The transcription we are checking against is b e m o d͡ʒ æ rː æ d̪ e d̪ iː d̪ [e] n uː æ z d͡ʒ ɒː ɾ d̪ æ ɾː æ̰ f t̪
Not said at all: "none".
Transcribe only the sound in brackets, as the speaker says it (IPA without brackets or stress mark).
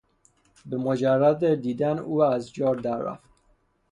æ